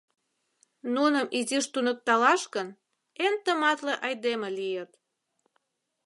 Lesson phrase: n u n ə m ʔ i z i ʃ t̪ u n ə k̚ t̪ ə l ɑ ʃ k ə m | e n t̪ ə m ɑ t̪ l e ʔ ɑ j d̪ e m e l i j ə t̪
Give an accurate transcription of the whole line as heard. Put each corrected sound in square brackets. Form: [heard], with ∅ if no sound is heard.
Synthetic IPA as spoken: n u n ə m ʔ i z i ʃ t̪ u n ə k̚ t̪ [ɑ] l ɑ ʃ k ə [n] | e n t̪ ə m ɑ t̪ l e ʔ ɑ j d̪ e m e l i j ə t̪